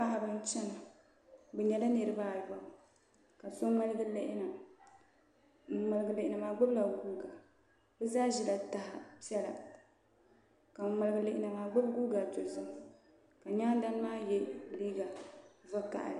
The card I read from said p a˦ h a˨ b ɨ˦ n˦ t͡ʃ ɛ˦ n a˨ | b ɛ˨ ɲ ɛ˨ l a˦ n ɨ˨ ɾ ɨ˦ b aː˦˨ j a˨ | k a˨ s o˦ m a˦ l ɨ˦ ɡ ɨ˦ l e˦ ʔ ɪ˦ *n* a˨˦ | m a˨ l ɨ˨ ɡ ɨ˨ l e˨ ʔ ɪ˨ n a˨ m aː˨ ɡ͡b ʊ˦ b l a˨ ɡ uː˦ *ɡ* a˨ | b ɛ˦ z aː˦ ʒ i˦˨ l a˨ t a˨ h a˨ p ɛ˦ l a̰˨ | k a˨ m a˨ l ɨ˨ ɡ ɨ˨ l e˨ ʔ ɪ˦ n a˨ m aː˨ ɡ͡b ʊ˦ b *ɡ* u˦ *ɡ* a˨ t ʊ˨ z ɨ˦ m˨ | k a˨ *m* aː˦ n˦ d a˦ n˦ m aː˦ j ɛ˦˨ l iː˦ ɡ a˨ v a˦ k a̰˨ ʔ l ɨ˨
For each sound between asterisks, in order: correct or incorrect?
correct, correct, correct, correct, incorrect

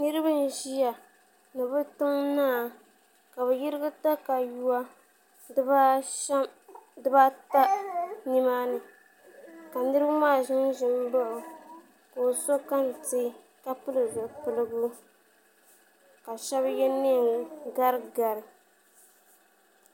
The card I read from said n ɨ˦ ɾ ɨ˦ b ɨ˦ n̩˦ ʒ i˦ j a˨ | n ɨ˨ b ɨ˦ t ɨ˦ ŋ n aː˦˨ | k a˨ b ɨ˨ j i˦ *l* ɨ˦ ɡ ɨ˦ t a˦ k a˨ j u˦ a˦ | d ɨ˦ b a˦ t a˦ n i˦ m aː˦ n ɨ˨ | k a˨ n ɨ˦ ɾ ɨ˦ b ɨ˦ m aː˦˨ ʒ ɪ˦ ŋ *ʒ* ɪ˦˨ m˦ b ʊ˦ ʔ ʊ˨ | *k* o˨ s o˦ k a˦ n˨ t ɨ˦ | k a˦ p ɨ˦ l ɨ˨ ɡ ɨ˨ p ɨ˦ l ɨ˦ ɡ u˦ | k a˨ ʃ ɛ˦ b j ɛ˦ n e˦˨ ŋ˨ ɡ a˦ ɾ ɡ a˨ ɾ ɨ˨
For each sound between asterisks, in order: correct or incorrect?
incorrect, correct, correct

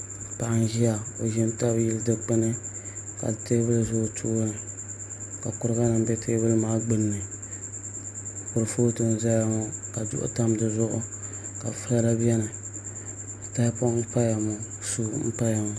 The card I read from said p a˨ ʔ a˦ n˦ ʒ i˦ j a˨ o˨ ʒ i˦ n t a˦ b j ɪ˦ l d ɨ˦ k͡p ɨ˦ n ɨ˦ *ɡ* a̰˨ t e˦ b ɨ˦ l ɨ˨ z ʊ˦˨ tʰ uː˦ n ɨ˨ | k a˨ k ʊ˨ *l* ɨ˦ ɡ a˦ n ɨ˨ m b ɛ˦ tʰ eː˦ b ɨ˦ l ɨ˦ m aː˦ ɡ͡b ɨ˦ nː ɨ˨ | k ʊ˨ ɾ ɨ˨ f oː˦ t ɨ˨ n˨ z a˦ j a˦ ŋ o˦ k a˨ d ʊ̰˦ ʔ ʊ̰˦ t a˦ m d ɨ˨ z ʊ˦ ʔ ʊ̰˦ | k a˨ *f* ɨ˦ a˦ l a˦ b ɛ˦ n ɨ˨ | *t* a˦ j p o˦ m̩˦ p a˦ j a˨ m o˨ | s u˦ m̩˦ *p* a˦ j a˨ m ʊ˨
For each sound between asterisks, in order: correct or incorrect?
incorrect, incorrect, correct, correct, correct

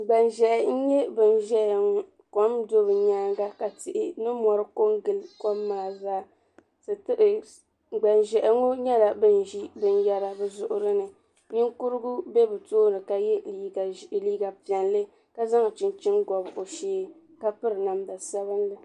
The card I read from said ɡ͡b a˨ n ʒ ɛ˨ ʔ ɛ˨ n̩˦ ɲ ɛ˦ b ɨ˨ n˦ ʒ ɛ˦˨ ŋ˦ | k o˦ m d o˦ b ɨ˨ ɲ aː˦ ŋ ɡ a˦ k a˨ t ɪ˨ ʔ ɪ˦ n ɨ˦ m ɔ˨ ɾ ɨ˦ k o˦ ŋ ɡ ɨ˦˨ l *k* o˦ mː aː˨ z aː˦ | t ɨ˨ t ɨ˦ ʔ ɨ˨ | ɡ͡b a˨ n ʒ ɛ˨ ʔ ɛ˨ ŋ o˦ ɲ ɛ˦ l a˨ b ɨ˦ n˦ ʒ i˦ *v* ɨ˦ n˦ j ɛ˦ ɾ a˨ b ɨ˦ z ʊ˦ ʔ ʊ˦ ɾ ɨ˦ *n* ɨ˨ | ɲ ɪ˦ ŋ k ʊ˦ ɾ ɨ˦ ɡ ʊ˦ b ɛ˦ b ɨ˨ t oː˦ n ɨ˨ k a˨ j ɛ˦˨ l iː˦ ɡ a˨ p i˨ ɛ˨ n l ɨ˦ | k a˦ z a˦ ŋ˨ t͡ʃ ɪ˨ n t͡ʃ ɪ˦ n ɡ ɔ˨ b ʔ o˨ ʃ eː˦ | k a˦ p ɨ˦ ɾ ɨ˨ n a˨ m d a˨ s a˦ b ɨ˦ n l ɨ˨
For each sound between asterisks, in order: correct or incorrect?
correct, incorrect, correct

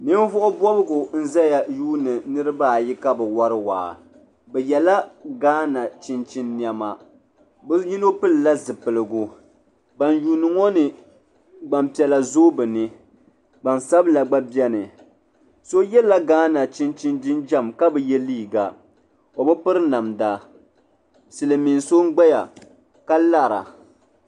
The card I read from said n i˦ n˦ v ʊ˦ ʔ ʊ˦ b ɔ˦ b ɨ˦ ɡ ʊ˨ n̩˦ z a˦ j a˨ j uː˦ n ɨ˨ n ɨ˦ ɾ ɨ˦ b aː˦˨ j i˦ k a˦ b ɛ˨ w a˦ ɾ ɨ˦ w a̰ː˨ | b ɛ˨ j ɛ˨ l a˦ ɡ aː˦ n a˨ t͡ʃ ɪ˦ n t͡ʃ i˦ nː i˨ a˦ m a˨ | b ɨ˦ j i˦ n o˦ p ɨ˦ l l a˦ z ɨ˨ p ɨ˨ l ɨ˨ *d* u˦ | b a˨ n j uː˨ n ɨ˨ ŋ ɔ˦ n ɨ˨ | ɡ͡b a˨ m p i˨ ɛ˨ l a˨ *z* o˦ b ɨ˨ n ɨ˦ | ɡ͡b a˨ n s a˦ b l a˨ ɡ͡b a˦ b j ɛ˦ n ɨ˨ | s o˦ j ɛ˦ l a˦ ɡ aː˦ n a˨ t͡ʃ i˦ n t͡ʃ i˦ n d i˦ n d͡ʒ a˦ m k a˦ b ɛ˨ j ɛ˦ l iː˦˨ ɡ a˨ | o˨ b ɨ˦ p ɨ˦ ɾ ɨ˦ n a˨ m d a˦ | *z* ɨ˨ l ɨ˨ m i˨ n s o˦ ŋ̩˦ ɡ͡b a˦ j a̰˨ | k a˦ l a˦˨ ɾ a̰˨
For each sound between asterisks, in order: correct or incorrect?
incorrect, correct, incorrect

